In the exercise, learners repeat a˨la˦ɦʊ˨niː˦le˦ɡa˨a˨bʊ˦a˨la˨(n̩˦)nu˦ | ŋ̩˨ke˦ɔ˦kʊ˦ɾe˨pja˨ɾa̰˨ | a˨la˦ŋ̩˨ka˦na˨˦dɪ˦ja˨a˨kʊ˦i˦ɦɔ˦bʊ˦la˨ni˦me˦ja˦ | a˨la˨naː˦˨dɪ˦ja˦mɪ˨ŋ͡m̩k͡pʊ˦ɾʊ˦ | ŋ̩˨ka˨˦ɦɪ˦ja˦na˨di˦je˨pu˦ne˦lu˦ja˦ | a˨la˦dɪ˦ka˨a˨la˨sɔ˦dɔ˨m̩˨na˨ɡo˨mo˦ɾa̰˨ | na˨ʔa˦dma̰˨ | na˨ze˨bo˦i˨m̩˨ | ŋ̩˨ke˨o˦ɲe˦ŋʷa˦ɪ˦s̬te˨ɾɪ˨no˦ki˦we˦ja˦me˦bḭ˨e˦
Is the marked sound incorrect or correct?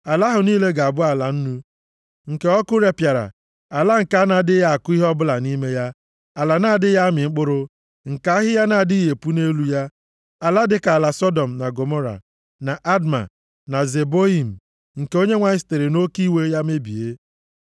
correct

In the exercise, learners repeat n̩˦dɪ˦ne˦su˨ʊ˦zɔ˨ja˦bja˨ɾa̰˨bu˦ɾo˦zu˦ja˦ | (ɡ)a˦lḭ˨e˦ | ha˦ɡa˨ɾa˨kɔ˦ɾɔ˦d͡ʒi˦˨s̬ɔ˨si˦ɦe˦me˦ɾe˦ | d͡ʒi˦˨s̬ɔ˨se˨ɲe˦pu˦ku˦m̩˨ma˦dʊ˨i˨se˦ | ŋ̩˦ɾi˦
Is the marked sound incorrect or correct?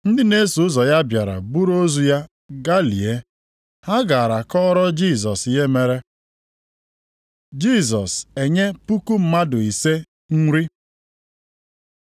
correct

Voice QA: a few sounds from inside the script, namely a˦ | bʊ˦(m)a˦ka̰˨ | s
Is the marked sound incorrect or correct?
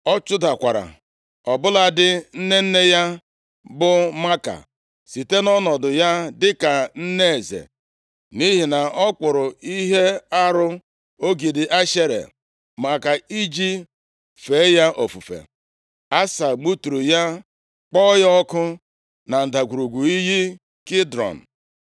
correct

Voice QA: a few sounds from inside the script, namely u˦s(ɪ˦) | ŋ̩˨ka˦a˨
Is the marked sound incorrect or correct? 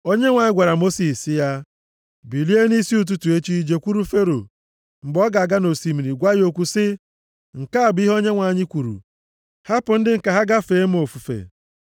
correct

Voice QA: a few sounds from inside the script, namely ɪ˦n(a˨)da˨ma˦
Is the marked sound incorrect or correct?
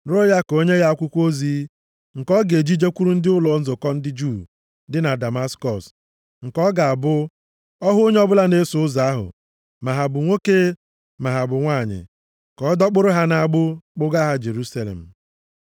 correct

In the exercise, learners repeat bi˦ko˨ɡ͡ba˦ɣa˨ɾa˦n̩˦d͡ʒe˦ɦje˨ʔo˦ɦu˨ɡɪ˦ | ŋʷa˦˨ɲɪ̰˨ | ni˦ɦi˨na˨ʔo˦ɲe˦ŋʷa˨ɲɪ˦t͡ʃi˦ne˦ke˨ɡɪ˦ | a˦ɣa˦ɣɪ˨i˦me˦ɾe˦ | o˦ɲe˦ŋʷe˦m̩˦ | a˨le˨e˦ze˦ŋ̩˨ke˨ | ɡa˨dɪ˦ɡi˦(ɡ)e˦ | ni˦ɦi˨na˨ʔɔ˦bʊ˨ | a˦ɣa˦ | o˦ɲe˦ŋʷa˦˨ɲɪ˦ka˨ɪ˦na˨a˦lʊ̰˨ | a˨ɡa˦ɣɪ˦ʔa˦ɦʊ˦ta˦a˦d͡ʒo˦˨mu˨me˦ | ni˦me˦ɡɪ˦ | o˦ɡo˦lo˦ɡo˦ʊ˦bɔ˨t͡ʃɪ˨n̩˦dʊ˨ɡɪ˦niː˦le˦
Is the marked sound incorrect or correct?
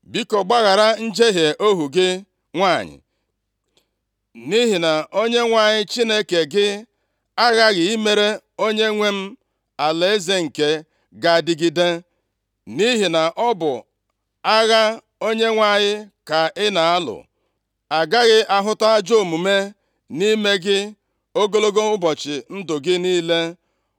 incorrect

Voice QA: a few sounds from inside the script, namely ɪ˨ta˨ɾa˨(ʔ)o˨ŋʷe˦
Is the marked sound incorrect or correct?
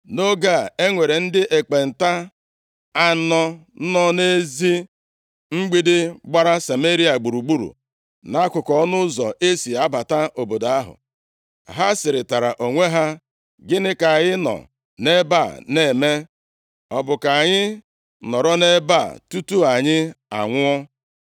correct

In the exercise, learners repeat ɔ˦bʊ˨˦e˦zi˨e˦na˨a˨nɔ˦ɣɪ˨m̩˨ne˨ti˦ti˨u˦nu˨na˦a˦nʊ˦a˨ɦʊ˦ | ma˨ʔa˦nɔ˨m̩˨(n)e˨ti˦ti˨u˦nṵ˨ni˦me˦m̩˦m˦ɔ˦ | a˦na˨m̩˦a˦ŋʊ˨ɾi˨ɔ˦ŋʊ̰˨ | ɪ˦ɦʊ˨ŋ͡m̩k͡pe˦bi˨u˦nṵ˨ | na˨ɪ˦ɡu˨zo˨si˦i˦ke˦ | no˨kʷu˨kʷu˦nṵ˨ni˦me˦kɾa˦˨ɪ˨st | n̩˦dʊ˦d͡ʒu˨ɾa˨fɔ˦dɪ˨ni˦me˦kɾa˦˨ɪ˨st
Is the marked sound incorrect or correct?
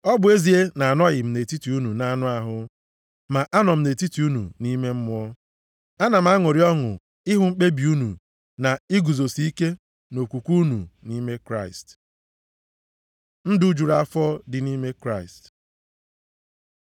correct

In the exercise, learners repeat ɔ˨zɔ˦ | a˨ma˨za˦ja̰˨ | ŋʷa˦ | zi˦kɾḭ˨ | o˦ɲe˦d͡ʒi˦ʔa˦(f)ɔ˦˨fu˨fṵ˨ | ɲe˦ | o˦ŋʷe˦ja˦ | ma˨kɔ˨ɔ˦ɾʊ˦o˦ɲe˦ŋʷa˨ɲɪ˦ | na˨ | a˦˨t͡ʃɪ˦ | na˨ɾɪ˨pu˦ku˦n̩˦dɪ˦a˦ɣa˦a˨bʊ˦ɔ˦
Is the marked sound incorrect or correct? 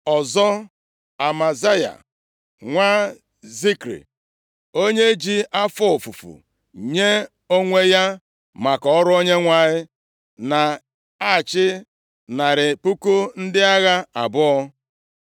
correct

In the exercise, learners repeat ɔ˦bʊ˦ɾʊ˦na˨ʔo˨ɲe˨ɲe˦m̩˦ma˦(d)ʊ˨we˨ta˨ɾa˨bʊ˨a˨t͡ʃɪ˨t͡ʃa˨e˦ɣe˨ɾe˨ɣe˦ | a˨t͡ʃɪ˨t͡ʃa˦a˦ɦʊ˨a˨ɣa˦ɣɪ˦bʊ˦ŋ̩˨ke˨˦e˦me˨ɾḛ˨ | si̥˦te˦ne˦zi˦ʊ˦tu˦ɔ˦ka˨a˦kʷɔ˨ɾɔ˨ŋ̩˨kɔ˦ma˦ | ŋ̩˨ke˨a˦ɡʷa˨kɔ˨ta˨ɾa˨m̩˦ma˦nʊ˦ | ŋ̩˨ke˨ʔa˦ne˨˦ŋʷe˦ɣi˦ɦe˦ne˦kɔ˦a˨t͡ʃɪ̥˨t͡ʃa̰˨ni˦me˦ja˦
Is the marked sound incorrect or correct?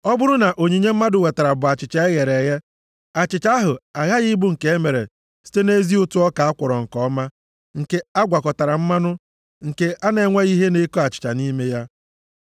correct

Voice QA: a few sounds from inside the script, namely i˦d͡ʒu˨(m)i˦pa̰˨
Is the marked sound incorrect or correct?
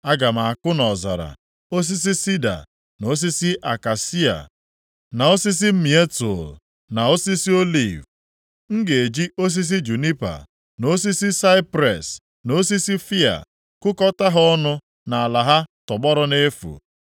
incorrect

